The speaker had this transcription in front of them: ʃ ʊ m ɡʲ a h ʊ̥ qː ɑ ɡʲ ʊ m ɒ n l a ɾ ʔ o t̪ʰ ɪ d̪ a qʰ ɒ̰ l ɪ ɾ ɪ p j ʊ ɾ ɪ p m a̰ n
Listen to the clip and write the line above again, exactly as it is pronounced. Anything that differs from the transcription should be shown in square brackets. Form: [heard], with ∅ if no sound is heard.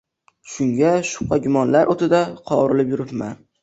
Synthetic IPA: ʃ ʊ [ŋ] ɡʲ a [ʃ] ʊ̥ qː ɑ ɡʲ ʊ m ɒ n l a ɾ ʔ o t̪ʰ ɪ d̪ a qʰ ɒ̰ [ɾ] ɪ [l] ɪ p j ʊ ɾ ɪ p m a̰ n